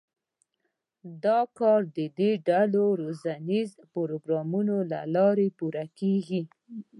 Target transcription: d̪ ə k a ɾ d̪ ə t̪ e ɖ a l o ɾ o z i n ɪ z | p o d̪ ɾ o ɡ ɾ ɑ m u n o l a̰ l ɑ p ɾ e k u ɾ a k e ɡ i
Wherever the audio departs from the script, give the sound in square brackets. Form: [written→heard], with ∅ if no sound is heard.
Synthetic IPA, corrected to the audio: d̪ [ə→ɑ] k [a→ɑ] ɾ d̪ ə [t̪→d̪] e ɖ a l o ɾ o z [i→a] n [ɪ→i] z | p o [d̪→∅] ɾ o ɡ ɾ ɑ m u n o l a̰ l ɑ [p→∅] ɾ e [k→p] u ɾ a k e ɡ i